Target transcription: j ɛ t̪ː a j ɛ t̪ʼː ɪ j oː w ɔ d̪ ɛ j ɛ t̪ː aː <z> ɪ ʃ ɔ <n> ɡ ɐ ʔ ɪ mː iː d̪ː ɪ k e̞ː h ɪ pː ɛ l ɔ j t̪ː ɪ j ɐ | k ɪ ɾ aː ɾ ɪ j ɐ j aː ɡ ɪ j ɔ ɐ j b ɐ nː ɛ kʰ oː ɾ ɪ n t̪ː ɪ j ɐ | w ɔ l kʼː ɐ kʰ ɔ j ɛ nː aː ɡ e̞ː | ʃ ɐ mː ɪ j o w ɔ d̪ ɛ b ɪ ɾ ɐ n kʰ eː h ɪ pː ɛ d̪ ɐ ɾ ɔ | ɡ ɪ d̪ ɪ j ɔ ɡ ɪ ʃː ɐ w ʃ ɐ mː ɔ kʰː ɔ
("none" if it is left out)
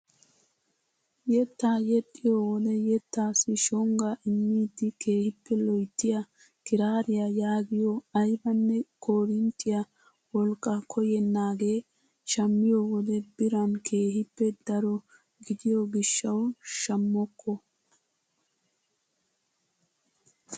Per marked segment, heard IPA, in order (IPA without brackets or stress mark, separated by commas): s, ŋ